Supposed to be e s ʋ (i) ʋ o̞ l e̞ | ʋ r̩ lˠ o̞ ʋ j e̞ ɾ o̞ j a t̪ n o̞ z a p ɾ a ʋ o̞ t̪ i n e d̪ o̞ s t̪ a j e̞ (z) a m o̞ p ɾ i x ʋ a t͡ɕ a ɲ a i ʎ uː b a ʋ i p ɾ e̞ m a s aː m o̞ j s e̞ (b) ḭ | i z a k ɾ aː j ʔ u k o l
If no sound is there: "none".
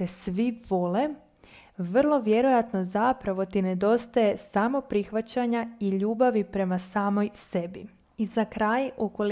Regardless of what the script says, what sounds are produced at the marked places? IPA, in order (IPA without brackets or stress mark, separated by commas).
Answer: i, s, b